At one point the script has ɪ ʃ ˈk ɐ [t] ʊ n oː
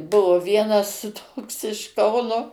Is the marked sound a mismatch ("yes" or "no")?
yes